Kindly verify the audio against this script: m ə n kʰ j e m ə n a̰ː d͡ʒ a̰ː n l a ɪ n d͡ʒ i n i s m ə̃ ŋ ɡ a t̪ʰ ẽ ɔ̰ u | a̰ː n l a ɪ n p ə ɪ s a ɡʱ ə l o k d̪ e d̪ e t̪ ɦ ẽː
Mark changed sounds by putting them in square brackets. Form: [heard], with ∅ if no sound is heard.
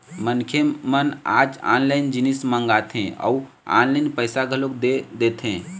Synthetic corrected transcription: m ə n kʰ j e m ə n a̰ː d͡ʒ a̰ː n l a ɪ n d͡ʒ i n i s m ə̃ ŋ ɡ a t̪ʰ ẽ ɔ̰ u | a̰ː n l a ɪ n p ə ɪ s a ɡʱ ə l o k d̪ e d̪ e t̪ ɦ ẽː